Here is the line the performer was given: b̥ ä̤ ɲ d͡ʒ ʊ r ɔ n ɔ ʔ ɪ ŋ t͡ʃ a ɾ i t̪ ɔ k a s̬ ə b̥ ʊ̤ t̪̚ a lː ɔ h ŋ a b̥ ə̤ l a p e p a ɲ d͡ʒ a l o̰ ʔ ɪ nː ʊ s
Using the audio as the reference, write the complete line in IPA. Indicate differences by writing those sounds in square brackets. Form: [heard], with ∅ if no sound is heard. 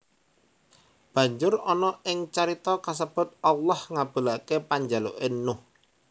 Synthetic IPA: b̥ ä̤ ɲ d͡ʒ ʊ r ɔ n ɔ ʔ ɪ ŋ t͡ʃ a ɾ i t̪ ɔ k a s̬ ə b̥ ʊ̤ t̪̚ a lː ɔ h ŋ a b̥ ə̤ l a [k] e p a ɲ d͡ʒ a l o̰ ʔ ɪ nː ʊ [h]